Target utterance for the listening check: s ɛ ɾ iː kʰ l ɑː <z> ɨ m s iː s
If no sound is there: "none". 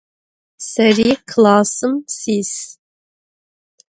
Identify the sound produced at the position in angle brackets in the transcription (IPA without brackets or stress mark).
s